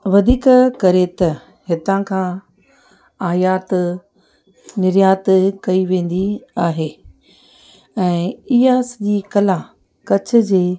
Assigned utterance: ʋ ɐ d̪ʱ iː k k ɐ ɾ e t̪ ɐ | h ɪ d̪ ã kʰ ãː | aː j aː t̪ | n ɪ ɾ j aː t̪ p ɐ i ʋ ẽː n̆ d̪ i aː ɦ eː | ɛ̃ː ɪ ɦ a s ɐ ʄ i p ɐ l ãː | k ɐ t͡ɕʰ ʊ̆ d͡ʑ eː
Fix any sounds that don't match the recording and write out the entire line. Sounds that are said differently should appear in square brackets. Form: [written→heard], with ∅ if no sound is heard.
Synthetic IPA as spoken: ʋ ɐ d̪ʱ iː k k ɐ ɾ e t̪ ɐ | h ɪ [d̪→t̪] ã kʰ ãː | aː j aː t̪ | n ɪ ɾ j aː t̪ [p→k] ɐ i ʋ ẽː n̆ d̪ i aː ɦ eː | ɛ̃ː ɪ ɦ a s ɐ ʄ i [p→k] ɐ l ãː | k ɐ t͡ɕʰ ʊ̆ d͡ʑ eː